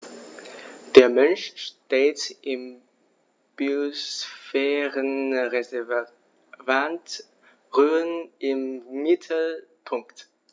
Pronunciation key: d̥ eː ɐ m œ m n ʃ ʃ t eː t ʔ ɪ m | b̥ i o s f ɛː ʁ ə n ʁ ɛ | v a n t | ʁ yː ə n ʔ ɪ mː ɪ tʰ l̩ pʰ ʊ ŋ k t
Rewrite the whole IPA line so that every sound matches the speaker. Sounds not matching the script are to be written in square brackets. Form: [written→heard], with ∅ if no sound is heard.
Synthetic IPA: d̥ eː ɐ m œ [m→∅] n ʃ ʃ t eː t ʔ ɪ m | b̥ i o s f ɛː ʁ ə n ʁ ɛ | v a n t | ʁ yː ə n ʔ ɪ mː ɪ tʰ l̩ pʰ ʊ ŋ k t